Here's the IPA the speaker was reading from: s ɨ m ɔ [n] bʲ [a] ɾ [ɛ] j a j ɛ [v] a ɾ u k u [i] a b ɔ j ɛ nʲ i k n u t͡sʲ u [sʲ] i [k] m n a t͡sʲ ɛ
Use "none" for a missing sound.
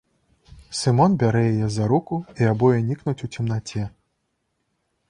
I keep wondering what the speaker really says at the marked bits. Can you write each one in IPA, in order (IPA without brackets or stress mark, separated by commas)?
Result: n, a, ɛ, z, i, t͡sʲ, none